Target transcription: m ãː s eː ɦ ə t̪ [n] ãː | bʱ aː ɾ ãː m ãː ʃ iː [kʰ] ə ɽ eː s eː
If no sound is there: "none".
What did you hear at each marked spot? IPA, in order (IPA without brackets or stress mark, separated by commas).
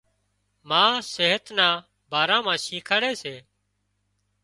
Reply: n, kʰ